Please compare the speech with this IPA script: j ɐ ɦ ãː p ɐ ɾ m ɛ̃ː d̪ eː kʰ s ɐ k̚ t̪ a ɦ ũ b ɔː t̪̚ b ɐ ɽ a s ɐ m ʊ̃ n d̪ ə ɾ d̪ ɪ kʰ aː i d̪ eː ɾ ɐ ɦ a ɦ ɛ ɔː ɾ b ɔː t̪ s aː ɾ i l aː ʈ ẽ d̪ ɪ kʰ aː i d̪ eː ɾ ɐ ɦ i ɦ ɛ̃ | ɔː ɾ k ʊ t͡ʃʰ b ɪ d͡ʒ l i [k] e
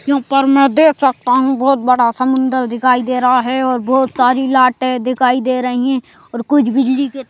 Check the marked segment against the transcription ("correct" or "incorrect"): correct